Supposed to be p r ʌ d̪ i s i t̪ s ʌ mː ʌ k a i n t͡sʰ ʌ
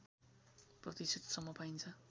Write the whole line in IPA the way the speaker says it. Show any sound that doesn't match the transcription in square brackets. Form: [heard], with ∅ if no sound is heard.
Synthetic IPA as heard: p r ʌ [t̪] i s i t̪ s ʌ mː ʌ [p] a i n t͡sʰ ʌ